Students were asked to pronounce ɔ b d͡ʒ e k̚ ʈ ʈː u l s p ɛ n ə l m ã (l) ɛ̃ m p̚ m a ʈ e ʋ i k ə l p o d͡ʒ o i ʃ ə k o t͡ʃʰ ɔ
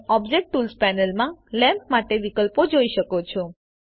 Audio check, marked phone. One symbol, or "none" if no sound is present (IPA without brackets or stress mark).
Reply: l